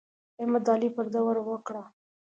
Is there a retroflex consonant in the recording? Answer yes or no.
yes